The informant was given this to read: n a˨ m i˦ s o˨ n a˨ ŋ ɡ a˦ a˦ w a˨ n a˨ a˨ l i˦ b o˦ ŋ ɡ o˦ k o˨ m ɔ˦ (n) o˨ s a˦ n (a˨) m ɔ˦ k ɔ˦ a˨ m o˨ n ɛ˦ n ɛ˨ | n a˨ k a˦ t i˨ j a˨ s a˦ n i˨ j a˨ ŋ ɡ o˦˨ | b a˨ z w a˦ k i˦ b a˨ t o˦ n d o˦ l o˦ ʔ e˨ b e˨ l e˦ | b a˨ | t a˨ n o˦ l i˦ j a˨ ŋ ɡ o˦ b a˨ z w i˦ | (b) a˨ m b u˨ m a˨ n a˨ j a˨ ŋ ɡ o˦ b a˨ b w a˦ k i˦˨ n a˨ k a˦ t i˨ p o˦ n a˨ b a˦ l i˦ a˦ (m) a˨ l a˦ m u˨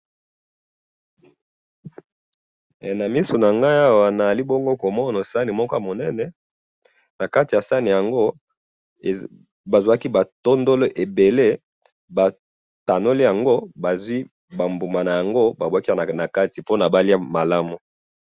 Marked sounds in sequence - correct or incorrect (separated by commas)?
correct, incorrect, correct, correct